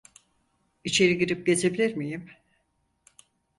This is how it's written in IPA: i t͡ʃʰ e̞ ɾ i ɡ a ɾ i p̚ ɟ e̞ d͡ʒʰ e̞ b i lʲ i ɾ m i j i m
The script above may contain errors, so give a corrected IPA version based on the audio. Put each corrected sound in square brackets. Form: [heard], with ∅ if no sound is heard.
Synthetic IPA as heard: i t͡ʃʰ e̞ ɾ i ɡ [i] ɾ i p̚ ɟ e̞ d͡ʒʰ e̞ b i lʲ i ɾ m i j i m